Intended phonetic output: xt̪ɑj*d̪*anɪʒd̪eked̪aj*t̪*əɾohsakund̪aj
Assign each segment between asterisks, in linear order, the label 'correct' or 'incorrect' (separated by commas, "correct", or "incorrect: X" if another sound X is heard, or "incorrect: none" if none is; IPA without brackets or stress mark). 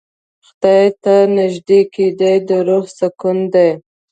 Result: incorrect: t̪, incorrect: d̪